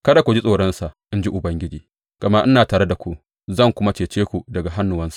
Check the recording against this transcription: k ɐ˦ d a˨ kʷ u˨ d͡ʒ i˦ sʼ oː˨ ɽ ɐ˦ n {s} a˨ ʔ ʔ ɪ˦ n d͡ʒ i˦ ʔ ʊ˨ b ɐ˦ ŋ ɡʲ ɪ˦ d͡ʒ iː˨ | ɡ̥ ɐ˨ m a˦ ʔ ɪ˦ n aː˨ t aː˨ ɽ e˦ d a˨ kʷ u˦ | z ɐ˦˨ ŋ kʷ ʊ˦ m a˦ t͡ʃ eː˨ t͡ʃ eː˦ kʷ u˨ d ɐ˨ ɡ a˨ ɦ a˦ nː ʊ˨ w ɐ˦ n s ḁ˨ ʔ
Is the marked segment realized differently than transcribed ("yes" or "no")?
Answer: no